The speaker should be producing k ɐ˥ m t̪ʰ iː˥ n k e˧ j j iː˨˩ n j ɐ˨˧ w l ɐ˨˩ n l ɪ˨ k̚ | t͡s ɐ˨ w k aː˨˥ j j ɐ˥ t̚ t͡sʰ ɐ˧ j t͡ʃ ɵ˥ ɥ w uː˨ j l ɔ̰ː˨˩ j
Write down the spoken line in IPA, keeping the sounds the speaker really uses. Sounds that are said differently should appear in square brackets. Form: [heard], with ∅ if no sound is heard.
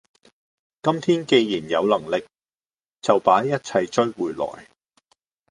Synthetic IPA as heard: k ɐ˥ m t̪ʰ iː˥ n k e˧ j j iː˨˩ n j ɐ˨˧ w l ɐ˨˩ [ŋ] l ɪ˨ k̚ | t͡s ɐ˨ w [p] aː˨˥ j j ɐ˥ t̚ t͡sʰ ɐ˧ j t͡ʃ ɵ˥ ɥ w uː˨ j l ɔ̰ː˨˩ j